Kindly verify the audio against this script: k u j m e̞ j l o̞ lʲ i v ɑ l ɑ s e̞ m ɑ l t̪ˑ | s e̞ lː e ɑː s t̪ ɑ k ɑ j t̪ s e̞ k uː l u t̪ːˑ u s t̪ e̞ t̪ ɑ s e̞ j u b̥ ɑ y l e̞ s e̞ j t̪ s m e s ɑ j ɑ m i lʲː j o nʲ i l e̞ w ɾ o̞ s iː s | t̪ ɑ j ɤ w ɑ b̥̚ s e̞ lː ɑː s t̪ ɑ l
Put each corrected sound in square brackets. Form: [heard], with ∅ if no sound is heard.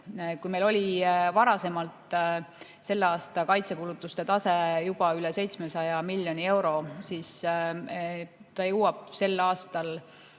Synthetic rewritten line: k u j m e̞ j l o̞ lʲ i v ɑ [ɾ] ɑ s e̞ m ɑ l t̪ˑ | s e̞ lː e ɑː s t̪ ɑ k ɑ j t̪ s e̞ k [u] l u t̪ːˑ u s t̪ e̞ t̪ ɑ s e̞ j u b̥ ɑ y l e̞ s e̞ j t̪ s m e s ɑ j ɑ m i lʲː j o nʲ i [∅] e̞ w ɾ o̞ s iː s | t̪ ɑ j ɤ w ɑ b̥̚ s e̞ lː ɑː s t̪ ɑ l